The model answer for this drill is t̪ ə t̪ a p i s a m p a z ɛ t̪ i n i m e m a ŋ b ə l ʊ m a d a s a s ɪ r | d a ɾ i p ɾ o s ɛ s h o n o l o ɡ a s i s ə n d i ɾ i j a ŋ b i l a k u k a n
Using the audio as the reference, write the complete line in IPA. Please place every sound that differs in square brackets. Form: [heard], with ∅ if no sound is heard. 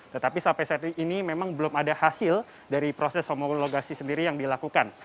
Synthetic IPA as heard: t̪ ə t̪ a p i s a m p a [s] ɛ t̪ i n i m e m a ŋ b ə l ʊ m a d a [h] a s ɪ [l] | d a ɾ i p ɾ o s ɛ s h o [m] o l o ɡ a s i s ə n d i ɾ i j a ŋ [d] i l a k u k a n